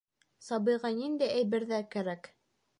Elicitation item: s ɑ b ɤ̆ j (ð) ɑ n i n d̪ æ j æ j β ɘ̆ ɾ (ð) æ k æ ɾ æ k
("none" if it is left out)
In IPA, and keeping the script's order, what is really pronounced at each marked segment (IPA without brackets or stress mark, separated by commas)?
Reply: ʁ, ð